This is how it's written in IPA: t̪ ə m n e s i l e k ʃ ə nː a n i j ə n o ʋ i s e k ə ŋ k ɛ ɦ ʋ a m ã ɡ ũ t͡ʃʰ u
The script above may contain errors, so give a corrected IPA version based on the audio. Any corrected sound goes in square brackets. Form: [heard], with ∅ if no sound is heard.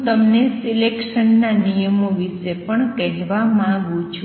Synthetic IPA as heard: t̪ ə m n e s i l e k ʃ ə nː a n i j ə [m] o ʋ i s e [p] ə [ɳ] k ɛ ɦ ʋ a m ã ɡ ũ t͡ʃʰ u